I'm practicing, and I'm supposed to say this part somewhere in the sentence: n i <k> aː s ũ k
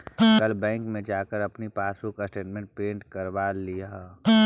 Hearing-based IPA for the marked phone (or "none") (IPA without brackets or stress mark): p